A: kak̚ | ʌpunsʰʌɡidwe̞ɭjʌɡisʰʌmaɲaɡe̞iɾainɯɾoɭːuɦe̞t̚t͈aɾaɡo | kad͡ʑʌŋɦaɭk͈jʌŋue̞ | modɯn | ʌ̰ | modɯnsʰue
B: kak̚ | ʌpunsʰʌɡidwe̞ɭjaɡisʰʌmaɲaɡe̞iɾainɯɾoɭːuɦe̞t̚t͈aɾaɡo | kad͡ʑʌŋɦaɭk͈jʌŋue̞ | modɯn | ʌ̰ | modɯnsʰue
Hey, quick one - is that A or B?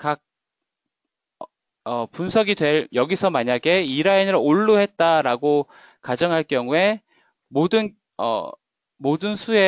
A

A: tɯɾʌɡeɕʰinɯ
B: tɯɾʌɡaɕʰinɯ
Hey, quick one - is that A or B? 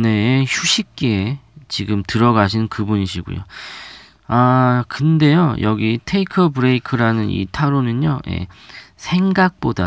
B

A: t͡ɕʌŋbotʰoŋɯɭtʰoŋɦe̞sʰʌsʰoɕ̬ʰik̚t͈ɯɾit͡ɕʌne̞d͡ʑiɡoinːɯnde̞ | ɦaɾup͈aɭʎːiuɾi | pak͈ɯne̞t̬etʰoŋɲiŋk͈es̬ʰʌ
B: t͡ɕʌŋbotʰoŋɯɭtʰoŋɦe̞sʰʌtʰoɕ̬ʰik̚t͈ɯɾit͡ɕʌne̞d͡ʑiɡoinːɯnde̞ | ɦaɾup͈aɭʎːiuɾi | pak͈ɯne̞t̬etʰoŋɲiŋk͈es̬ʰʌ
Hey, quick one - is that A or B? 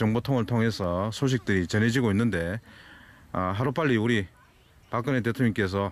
A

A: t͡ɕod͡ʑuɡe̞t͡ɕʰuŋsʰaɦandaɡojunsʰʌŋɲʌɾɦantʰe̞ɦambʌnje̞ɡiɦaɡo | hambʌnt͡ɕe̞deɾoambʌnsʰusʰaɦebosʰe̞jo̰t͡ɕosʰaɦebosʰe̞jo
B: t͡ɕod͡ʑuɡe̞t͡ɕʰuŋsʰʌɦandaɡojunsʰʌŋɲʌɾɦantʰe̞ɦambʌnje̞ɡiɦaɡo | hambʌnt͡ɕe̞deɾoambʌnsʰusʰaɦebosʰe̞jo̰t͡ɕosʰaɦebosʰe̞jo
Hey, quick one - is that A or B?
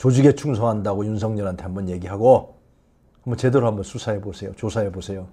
B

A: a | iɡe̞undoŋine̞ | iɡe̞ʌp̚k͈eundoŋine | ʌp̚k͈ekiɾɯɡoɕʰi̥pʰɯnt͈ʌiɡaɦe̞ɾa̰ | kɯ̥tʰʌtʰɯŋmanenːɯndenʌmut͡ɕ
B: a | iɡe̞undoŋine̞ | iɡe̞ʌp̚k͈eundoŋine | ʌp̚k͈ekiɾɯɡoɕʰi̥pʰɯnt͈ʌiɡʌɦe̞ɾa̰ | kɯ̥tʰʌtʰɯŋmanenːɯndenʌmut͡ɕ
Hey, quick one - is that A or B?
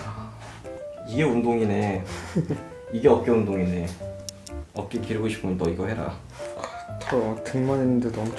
B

